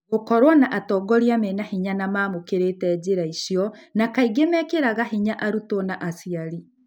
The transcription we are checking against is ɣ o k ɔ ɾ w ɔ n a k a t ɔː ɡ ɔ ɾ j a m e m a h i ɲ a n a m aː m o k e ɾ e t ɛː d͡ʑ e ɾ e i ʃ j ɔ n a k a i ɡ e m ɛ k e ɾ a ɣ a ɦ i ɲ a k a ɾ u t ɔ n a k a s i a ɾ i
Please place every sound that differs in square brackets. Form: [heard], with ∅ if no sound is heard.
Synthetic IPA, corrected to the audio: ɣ o k ɔ ɾ w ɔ n a [ʔ] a t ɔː ɡ ɔ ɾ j a m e [n] a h i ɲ a n a m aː m o k e ɾ e t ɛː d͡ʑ e ɾ [a] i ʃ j ɔ n a k a i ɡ e m ɛ k e ɾ a ɣ a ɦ i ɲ a [ʔ] a ɾ u t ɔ n a [ʔ] a s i a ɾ i